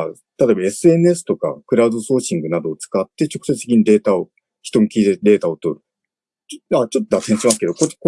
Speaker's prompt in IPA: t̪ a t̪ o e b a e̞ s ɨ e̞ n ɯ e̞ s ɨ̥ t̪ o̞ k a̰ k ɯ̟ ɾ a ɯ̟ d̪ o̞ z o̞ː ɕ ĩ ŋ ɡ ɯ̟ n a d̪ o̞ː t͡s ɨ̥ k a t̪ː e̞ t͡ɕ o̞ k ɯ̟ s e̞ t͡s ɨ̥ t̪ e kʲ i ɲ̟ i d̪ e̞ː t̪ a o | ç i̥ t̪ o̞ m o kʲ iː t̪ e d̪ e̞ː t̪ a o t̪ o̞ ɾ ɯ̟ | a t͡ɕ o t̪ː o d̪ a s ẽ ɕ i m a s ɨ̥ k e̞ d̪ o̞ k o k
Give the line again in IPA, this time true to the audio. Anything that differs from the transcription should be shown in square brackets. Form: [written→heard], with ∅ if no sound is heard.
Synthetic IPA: t̪ a t̪ o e b a e̞ s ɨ e̞ n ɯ e̞ s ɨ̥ t̪ o̞ k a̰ k ɯ̟ ɾ a ɯ̟ d̪ o̞ [z→s] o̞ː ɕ ĩ ŋ ɡ ɯ̟ n a d̪ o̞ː t͡s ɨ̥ k a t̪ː e̞ t͡ɕ o̞ k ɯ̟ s e̞ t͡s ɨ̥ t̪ e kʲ i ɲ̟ i d̪ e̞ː t̪ a o | ç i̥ t̪ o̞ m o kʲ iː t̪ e d̪ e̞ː t̪ a o t̪ o̞ ɾ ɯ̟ | a t͡ɕ o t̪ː o d̪ a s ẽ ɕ i m a s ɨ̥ k e̞ d̪ o̞ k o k